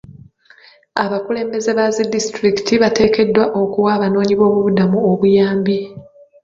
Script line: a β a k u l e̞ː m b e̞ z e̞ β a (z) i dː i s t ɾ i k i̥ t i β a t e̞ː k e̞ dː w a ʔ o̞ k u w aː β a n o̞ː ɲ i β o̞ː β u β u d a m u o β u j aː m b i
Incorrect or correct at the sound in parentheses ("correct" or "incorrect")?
correct